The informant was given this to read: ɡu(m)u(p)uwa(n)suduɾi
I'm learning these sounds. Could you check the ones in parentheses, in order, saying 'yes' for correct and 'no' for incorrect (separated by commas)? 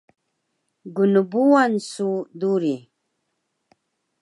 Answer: no, no, yes